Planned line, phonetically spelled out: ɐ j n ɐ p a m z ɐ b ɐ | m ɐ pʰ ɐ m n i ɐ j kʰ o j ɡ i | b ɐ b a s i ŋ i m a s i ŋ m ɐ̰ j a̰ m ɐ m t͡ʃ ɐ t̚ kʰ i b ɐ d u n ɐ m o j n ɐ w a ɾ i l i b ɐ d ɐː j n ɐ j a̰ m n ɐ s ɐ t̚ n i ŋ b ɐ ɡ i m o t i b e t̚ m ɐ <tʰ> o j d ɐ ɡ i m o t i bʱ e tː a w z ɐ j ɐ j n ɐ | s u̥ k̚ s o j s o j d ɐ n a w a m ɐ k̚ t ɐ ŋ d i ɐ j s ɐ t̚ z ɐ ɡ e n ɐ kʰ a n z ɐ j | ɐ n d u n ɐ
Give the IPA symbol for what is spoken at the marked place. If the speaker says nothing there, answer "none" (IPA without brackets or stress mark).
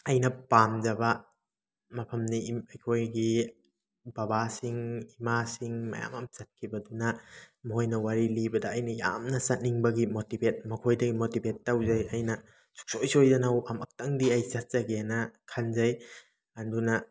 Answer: kʰ